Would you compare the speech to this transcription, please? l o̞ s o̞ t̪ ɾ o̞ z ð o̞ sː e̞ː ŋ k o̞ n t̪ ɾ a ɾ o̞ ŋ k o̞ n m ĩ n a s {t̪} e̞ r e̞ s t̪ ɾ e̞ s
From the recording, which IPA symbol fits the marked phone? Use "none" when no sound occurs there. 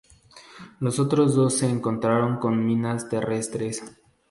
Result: t̪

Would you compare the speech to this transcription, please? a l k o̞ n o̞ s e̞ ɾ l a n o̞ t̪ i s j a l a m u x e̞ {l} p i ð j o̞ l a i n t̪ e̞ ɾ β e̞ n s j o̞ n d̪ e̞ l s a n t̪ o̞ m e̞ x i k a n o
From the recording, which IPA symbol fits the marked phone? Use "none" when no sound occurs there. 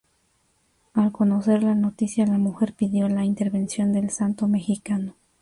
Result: ɾ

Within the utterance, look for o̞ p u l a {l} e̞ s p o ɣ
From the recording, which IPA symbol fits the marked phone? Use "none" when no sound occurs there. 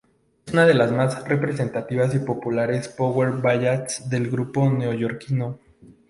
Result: ɾ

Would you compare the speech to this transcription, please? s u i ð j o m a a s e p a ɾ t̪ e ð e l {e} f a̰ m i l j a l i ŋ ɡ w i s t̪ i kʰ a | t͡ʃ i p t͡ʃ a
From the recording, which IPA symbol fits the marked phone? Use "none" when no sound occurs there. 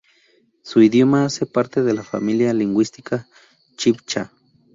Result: a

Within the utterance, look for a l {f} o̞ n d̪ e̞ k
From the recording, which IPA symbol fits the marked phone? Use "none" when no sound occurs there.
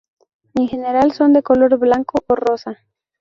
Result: s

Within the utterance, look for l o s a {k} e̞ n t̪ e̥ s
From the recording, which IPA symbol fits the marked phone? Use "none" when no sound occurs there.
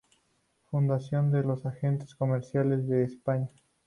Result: x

